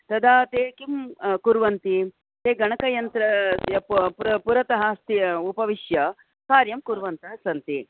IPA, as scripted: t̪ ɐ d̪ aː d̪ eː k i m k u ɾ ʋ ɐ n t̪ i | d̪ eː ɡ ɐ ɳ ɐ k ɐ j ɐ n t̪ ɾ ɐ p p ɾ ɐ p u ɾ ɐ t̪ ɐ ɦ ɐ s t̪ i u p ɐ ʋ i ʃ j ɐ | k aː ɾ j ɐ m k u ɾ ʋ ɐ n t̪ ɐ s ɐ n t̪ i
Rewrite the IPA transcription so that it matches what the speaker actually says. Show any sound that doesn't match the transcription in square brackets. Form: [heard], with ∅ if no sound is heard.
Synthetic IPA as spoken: t̪ ɐ d̪ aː [t̪] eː k i m k u ɾ ʋ ɐ n t̪ i | [t̪] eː ɡ ɐ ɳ ɐ k ɐ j ɐ n t̪ ɾ ɐ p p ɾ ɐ p u ɾ ɐ t̪ ɐ ɦ ɐ s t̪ i u p ɐ ʋ i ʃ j ɐ | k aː ɾ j ɐ m k u ɾ ʋ ɐ n t̪ ɐ s ɐ n t̪ i